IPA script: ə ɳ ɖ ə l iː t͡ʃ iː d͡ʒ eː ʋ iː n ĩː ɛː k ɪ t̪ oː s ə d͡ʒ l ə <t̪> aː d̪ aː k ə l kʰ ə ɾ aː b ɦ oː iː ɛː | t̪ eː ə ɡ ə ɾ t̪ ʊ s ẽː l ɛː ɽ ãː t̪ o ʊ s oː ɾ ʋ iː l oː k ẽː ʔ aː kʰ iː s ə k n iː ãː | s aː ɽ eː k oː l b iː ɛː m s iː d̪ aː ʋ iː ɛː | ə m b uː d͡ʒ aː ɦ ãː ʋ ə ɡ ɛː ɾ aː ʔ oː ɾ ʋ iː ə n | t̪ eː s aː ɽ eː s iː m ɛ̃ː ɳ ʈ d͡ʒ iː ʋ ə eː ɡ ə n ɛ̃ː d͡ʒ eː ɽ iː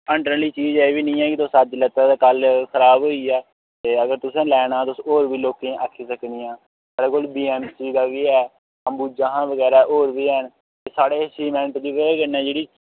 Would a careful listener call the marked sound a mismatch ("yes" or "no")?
no